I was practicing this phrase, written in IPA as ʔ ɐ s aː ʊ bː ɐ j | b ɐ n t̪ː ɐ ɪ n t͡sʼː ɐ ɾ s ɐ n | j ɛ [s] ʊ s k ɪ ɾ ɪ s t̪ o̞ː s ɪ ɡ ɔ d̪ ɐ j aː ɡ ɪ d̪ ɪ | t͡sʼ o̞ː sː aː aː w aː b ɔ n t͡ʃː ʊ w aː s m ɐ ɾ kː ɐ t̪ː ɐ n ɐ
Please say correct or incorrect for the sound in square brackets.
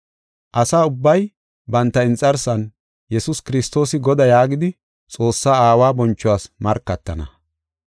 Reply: correct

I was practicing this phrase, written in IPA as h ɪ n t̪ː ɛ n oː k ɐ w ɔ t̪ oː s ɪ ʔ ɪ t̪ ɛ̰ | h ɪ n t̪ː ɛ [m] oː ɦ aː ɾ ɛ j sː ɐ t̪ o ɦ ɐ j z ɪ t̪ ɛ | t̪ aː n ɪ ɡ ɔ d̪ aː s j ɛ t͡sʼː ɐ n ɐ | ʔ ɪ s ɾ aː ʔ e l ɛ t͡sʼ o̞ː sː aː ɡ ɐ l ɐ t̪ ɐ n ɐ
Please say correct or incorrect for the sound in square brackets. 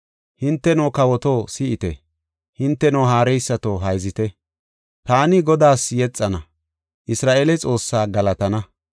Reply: incorrect: n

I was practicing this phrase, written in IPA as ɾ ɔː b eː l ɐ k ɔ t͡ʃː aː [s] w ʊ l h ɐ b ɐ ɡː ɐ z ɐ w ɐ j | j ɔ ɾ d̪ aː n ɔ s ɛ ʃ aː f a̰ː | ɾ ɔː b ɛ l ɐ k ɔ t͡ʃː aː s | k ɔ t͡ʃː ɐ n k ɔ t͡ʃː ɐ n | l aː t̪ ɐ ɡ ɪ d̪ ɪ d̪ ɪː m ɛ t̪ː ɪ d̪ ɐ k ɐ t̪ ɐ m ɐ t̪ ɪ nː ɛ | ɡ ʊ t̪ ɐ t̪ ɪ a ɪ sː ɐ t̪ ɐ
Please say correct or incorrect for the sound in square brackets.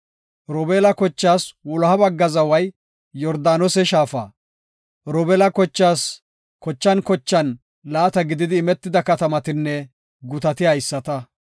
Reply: correct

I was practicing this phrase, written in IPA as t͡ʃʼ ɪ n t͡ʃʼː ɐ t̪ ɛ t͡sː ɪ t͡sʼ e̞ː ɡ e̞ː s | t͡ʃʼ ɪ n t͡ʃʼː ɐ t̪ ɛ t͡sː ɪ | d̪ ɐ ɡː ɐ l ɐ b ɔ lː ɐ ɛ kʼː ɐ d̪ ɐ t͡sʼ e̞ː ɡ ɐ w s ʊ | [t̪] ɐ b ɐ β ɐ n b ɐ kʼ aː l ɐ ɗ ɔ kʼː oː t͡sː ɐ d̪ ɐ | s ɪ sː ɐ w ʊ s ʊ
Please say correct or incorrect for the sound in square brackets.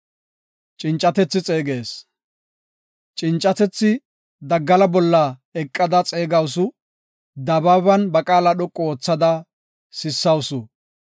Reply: incorrect: d̪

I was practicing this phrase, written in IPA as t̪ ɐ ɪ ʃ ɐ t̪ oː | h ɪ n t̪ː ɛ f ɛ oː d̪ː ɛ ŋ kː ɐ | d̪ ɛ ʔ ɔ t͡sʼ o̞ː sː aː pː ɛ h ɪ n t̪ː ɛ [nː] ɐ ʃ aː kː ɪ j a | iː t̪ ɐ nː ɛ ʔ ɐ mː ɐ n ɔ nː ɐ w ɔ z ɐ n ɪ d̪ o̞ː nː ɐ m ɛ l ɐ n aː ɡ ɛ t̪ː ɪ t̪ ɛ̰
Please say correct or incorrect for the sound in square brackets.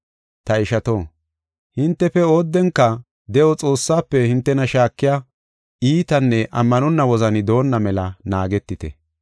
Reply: incorrect: n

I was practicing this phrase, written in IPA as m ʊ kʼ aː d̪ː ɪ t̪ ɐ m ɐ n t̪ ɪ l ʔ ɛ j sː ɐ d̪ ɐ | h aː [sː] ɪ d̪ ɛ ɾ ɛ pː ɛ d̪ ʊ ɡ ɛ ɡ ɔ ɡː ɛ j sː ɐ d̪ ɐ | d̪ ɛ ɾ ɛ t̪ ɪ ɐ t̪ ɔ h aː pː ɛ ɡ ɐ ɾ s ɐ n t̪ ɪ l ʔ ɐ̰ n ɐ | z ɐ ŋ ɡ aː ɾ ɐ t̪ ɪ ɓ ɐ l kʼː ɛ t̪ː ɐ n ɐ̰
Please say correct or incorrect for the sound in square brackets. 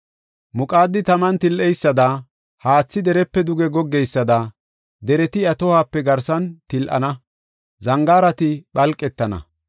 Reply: incorrect: t͡sː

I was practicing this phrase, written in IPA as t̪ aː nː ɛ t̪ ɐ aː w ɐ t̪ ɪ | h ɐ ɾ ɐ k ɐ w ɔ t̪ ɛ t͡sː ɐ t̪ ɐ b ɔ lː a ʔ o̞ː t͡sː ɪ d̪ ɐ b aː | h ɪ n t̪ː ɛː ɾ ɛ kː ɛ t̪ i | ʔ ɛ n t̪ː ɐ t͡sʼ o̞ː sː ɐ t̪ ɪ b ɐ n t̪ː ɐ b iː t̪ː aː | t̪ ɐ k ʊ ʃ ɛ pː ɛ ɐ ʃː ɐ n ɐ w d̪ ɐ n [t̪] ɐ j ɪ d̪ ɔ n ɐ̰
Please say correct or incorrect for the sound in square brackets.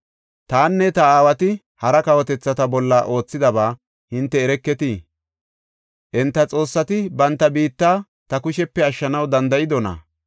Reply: incorrect: d̪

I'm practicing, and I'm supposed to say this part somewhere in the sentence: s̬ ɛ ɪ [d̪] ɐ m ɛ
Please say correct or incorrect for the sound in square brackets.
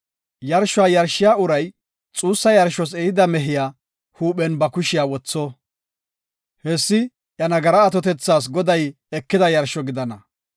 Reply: correct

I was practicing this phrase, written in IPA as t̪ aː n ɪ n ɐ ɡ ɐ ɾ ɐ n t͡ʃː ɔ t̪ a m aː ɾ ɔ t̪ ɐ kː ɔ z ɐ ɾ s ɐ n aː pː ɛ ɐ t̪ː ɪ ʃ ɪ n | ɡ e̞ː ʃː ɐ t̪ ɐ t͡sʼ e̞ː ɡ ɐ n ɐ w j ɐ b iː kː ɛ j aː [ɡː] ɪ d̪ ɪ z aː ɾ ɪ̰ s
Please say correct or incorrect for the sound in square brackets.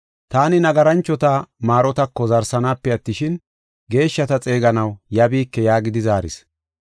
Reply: incorrect: ɡ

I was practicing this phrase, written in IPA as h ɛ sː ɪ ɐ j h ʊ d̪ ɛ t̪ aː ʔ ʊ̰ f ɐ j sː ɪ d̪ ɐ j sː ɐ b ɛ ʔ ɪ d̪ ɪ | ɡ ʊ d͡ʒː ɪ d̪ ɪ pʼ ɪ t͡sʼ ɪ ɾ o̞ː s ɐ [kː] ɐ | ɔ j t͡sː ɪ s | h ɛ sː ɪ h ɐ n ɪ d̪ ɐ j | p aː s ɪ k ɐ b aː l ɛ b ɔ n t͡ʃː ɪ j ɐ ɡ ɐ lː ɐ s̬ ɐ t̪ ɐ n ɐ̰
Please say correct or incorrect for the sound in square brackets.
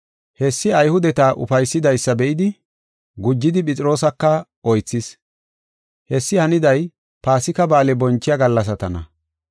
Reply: correct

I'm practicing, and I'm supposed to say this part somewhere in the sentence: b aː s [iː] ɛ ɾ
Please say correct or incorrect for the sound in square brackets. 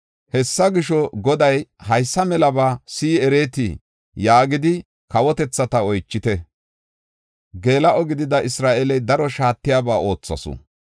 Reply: correct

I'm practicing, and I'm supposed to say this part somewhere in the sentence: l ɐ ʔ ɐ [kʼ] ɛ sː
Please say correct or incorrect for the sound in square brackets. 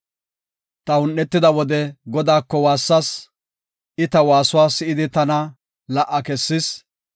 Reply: incorrect: k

